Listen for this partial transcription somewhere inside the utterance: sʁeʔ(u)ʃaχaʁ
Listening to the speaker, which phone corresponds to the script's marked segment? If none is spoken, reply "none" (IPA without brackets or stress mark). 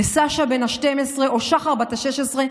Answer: o